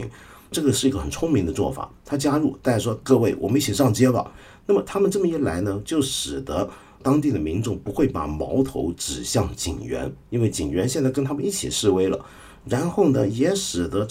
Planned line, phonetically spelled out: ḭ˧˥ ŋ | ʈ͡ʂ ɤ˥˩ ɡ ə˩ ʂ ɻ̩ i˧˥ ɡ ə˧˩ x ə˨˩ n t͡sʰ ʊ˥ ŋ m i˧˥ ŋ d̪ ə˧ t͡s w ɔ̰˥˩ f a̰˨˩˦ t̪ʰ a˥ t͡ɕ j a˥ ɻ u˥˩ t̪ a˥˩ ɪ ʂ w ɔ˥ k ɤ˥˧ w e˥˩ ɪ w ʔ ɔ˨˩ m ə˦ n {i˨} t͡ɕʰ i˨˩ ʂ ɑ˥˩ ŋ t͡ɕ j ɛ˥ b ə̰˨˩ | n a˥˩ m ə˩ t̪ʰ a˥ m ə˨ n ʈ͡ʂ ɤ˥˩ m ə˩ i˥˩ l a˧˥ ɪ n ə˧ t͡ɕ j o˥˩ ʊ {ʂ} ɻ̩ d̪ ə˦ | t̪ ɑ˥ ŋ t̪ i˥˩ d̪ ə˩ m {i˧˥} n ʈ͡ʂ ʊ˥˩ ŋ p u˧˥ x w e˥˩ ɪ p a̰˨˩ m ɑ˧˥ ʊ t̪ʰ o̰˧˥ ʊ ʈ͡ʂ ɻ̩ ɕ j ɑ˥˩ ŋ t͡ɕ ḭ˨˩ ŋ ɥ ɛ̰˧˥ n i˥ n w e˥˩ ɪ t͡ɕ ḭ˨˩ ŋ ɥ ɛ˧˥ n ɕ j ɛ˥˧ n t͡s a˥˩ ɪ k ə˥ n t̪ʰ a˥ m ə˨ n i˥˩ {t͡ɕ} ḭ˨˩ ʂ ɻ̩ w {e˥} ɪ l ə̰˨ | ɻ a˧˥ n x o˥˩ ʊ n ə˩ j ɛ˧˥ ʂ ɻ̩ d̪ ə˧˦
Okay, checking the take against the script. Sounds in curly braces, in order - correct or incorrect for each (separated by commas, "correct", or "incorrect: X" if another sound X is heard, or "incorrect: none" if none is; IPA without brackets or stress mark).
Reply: incorrect: i˥˩, correct, correct, incorrect: t͡ɕʰ, correct